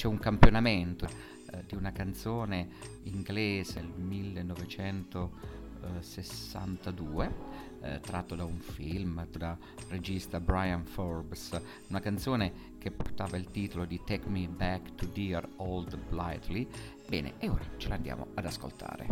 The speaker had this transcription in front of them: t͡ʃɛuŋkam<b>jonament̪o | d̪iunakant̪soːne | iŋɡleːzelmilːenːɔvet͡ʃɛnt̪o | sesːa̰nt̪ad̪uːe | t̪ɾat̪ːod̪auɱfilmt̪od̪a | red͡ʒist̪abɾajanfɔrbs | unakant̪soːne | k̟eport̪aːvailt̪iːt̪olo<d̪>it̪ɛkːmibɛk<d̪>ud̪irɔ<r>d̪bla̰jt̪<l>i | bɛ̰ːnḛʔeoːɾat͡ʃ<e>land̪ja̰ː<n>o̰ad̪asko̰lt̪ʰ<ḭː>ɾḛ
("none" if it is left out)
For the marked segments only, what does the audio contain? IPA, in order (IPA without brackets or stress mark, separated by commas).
p, d̪, t̪, l, l, e, m, a̰ː